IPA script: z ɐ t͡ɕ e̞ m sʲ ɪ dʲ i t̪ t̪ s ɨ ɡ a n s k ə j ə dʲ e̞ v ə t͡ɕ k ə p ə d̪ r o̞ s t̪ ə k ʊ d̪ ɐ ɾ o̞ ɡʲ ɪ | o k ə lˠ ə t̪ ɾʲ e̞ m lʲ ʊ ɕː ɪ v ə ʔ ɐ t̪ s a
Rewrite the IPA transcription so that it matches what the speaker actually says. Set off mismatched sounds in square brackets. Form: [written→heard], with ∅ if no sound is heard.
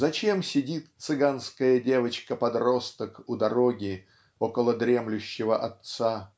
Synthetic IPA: z ɐ t͡ɕ e̞ m sʲ ɪ dʲ i t̪ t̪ s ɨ ɡ a n s k ə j ə dʲ e̞ v ə t͡ɕ k ə p [ə→ɐ] d̪ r o̞ s t̪ ə k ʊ d̪ ɐ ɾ o̞ ɡʲ ɪ | o k ə lˠ ə [t̪→d̪] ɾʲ e̞ m lʲ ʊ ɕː ɪ v ə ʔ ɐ t̪ s a